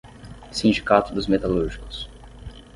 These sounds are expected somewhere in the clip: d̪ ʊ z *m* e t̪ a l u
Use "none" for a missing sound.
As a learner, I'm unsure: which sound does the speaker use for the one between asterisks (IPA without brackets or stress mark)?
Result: m